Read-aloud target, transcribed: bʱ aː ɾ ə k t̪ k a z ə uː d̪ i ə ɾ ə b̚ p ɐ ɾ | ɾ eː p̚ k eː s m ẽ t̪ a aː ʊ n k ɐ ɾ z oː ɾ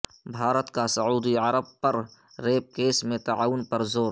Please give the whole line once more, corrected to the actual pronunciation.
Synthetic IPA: bʱ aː ɾ ə t̪ k a s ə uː d̪ i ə ɾ ə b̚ p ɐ ɾ | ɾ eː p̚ k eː s m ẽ t̪ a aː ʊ n p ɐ ɾ z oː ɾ